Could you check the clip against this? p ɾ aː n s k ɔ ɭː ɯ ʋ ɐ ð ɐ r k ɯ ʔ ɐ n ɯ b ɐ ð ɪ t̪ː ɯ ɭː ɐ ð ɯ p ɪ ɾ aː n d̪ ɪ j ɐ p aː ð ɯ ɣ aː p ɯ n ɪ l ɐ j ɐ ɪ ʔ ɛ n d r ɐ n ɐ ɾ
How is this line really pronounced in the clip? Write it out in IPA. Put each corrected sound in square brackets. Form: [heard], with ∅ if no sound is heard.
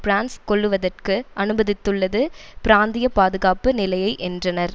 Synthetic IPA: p ɾ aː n s k ɔ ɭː ɯ ʋ ɐ ð ɐ r k ɯ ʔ ɐ n ɯ b ɐ ð ɪ t̪ː ɯ ɭː ɐ ð ɯ p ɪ ɾ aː n d̪ ɪ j ɐ p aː ð ɯ ɣ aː p ɯ n ɪ l ɐ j ɐ ɪ ʔ ɛ n d r ɐ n ɐ ɾ